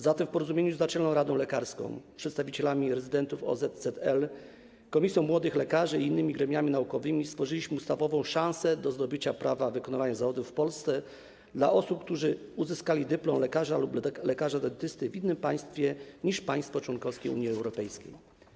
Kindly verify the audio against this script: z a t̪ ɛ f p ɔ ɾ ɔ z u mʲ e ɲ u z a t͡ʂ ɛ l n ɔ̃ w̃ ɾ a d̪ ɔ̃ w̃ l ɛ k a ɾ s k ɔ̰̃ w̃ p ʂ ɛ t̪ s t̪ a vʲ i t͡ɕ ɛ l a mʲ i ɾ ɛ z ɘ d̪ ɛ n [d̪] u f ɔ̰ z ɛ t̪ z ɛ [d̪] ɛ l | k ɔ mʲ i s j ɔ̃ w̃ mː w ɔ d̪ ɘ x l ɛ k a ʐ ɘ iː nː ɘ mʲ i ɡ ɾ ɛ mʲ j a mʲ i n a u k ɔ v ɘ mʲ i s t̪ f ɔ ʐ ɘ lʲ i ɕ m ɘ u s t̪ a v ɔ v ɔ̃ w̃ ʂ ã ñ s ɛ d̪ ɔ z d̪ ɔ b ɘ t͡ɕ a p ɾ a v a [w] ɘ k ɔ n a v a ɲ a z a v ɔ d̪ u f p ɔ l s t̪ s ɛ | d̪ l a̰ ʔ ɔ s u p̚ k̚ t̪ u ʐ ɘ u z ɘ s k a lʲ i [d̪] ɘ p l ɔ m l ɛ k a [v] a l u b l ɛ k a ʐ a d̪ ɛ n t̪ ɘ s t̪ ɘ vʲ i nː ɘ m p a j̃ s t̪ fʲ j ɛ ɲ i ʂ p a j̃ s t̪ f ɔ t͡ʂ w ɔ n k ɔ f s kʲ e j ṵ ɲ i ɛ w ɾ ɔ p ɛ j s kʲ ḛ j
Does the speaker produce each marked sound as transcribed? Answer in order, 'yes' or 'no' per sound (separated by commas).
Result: no, no, no, yes, no